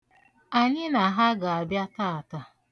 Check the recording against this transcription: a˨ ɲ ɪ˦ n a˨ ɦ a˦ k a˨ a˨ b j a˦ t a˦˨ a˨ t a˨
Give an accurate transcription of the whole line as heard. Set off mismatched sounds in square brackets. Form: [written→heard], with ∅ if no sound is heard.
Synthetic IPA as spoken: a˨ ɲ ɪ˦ n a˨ ɦ a˦ [k→ɡ] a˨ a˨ b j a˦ t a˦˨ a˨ t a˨